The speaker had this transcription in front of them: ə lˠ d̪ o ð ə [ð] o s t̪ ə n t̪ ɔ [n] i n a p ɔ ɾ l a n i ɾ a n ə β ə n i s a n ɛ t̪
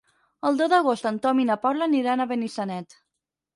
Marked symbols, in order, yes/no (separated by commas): no, no